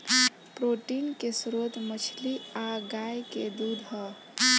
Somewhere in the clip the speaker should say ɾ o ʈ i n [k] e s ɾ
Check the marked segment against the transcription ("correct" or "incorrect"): correct